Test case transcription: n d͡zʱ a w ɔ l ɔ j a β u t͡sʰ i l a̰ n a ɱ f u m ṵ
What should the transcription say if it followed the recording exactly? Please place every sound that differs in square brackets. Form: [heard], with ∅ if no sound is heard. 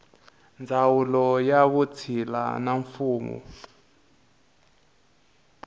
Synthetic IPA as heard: n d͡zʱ a w [u] l ɔ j a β u t͡sʰ i l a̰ n a ɱ f [uː] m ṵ